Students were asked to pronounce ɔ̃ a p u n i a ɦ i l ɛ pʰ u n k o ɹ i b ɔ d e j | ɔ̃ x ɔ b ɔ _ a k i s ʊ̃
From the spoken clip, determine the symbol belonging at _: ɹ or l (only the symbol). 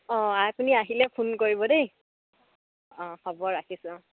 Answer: ɹ